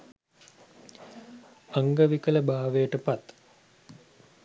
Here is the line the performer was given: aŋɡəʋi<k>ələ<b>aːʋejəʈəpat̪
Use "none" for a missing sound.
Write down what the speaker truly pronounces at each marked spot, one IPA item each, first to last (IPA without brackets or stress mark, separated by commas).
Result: k, b